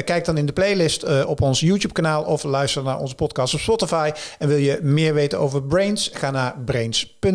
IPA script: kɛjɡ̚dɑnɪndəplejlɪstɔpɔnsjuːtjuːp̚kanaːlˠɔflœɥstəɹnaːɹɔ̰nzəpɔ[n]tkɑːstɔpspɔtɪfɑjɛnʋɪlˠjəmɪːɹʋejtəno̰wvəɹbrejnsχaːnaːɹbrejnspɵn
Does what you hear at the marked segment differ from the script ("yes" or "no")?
yes